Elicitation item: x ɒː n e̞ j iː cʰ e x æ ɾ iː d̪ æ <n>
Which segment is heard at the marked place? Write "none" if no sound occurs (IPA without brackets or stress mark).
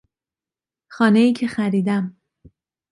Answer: m